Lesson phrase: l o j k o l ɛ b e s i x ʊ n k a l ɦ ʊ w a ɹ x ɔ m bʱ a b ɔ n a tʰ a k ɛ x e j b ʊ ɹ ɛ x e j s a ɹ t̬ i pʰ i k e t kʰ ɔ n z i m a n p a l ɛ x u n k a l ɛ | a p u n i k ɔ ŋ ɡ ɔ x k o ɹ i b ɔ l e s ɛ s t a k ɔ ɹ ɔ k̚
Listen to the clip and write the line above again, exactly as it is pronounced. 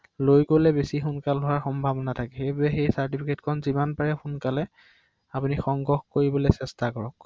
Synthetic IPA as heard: l o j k o l ɛ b e s i x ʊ n k a l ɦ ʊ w a ɹ x ɔ m bʱ a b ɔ n a tʰ a k ɛ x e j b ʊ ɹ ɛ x e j s a ɹ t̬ i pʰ i k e t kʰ ɔ n z i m a n p a ɹ ɛ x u n k a l ɛ | a p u n i x ɔ ŋ ɡ ɔ x k o ɹ i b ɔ l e s ɛ s t a k ɔ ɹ ɔ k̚